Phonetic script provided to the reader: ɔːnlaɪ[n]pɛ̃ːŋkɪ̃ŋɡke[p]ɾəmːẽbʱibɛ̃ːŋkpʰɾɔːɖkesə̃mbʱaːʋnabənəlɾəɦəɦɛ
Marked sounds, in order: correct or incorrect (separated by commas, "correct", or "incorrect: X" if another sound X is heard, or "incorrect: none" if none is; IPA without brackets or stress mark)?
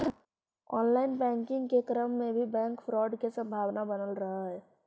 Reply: correct, incorrect: k